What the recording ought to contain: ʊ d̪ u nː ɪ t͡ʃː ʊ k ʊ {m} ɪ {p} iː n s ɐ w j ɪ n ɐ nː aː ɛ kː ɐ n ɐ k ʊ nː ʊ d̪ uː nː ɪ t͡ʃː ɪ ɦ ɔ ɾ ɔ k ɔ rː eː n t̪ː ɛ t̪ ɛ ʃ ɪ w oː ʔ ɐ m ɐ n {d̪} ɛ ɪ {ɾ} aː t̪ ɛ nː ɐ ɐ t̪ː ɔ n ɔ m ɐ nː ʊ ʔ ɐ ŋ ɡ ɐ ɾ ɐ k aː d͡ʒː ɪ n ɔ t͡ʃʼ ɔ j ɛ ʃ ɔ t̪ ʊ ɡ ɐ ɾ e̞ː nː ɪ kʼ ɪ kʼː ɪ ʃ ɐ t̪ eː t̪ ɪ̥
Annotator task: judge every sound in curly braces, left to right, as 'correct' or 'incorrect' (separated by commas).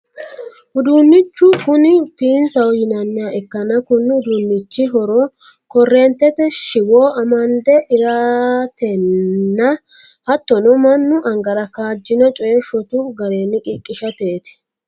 incorrect, correct, correct, correct